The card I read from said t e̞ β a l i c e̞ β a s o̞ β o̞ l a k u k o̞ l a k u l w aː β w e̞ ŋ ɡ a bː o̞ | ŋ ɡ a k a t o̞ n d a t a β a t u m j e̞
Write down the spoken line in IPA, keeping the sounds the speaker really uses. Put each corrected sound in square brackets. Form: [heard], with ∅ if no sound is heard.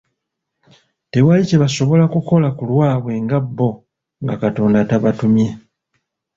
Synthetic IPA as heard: t e̞ [w] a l i c e̞ β a s o̞ β o̞ l a k u k o̞ l a k u l w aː β w e̞ ŋ ɡ a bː o̞ | ŋ ɡ a k a t o̞ n d a t a β a t u m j e̞